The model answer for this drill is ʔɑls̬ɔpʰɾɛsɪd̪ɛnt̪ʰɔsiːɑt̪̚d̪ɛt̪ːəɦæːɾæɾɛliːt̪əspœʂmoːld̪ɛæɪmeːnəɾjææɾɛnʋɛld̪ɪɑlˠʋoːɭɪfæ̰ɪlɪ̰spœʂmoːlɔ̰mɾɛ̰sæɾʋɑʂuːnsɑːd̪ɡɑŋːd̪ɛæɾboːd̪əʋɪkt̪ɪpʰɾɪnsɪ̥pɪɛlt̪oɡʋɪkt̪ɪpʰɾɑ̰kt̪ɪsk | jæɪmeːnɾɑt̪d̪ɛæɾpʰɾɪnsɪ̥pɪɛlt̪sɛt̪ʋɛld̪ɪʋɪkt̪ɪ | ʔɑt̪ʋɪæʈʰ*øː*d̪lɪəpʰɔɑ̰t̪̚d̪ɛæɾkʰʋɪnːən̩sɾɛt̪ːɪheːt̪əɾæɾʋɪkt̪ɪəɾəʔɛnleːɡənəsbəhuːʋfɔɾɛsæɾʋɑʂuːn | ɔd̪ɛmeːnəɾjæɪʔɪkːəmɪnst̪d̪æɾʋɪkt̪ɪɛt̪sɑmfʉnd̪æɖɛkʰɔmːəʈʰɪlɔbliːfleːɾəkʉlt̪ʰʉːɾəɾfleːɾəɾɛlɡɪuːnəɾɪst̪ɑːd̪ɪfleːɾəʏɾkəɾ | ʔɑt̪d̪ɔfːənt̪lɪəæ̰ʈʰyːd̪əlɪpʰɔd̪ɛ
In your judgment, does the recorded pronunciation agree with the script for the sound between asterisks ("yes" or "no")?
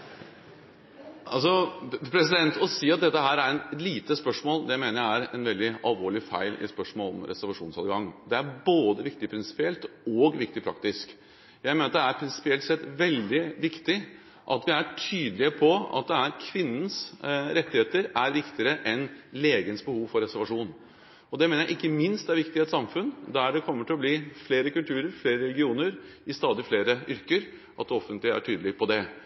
no